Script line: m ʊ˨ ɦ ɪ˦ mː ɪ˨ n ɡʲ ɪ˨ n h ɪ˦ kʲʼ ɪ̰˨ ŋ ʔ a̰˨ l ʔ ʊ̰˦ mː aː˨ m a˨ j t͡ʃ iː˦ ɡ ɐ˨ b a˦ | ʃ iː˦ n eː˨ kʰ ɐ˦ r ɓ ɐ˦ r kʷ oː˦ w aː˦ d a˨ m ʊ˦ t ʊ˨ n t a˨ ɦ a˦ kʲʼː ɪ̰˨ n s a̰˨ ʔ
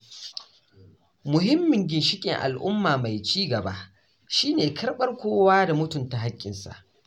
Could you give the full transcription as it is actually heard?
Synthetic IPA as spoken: m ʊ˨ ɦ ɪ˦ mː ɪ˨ ŋ ɡʲ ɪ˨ n ʃ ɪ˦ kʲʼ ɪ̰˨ ŋ ʔ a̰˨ l ʔ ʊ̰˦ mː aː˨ m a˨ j t͡ʃ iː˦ ɡ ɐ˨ b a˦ | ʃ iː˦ n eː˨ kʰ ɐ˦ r ɓ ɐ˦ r kʷ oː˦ w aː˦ d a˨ m ʊ˦ t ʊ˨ n t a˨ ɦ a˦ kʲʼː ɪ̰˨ n s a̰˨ ʔ

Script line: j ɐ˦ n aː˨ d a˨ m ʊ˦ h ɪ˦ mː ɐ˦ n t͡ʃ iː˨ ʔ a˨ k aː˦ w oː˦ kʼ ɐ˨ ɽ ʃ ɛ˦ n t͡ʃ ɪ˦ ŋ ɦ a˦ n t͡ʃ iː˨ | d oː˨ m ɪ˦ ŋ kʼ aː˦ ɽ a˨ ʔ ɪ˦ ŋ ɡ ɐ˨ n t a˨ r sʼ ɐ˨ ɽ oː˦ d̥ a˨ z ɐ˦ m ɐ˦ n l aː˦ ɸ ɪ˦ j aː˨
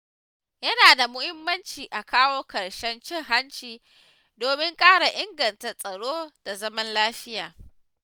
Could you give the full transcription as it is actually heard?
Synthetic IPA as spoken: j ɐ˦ n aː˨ d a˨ m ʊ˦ h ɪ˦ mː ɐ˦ n t͡ʃ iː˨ ʔ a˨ k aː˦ w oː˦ k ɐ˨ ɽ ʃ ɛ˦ n t͡ʃ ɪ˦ ŋ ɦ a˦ n t͡ʃ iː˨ | d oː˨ m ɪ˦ ŋ kʼ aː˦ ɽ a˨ ʔ ɪ˦ ŋ ɡ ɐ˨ n t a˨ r sʼ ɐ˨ ɽ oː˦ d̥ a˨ z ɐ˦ m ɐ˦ n l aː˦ ɸ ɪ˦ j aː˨

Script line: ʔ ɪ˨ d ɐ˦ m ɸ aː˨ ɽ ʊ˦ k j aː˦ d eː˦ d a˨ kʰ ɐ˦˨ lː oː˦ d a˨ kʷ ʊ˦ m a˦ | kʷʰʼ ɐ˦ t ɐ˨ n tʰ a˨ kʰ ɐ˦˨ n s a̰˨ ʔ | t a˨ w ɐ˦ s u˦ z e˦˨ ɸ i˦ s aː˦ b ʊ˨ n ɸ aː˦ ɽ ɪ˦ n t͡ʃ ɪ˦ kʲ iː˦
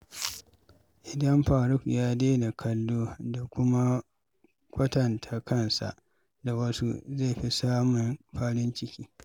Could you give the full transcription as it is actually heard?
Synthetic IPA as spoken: ʔ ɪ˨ d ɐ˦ m ɸ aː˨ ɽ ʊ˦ k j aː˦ d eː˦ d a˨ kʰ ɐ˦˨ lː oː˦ d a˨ kʷ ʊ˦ m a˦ | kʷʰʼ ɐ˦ t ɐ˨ n tʰ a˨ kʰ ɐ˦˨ n s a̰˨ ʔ | d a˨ w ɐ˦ s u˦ z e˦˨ ɸ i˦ s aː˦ m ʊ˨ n ɸ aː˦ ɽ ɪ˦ n t͡ʃ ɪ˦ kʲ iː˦

